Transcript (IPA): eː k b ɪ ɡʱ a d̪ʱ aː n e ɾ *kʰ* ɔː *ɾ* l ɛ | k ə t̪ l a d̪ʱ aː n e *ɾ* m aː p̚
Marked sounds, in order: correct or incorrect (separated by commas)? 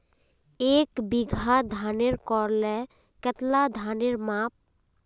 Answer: incorrect, correct, correct